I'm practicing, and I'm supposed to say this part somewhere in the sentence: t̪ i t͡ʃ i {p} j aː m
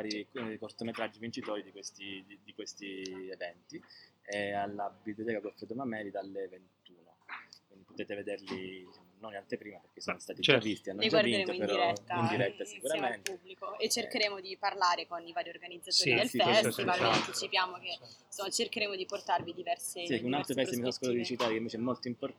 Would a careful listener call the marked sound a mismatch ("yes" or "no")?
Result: no